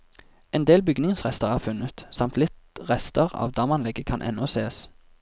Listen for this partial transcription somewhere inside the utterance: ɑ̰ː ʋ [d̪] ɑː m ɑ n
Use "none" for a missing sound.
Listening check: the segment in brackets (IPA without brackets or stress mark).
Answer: d̪